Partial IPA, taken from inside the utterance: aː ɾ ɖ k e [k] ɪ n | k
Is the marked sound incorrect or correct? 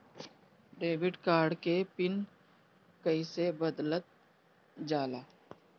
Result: incorrect